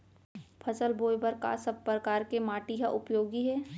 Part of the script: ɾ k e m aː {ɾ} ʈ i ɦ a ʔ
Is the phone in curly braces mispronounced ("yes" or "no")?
yes